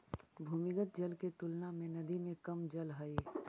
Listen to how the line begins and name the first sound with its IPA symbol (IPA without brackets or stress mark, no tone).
bʱ